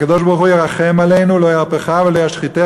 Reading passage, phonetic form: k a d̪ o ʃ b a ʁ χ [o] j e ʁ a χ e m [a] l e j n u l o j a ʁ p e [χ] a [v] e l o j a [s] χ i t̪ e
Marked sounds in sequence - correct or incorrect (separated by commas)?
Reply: incorrect, correct, correct, correct, incorrect